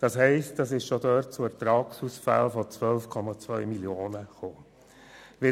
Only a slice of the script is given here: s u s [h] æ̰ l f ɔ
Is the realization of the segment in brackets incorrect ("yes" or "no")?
yes